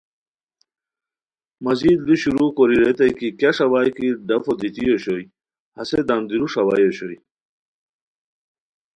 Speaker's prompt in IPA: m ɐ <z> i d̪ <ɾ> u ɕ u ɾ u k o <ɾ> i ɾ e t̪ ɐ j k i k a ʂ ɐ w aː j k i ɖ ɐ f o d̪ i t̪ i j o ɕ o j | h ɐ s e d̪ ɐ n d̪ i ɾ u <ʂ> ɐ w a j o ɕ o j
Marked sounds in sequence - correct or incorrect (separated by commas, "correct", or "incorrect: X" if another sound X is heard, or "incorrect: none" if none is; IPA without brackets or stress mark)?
correct, incorrect: l, correct, correct